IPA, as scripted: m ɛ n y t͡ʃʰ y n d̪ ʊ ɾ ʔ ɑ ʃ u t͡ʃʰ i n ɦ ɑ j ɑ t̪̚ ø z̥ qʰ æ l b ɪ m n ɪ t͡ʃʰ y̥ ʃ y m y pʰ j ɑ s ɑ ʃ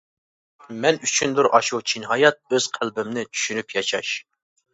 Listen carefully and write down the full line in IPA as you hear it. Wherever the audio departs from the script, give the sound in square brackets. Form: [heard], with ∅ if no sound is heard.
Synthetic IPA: m ɛ n y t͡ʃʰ y n d̪ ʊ ɾ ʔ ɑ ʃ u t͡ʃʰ i n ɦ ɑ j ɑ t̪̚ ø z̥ qʰ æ l b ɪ m n ɪ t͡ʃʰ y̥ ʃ y [n] y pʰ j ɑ [ʃ] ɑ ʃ